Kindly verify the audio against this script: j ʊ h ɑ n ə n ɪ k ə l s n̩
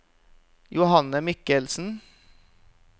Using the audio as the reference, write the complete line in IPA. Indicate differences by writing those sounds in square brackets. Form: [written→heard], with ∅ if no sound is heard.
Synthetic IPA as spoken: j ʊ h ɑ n ə [n→m] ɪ k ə l s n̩